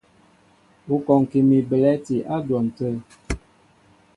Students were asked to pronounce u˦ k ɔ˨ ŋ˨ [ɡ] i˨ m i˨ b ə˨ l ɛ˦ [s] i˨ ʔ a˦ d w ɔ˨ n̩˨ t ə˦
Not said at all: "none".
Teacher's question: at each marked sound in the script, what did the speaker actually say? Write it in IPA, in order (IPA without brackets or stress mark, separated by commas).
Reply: k, t